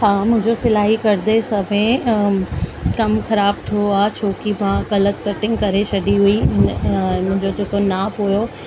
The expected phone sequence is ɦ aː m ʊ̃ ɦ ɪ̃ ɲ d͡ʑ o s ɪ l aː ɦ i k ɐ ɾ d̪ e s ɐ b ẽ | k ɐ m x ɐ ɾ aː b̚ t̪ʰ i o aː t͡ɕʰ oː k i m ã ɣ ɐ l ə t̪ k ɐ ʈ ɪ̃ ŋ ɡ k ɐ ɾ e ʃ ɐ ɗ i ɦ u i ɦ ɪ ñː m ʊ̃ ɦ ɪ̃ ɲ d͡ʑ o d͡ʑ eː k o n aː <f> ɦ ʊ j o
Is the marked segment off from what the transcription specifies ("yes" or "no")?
no